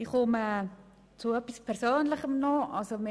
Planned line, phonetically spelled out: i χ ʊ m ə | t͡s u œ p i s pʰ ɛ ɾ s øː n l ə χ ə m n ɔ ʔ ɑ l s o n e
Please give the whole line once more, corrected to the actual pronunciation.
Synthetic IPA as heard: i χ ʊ m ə | t͡s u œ p i s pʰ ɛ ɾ s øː n l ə χ ə m n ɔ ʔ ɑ l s o m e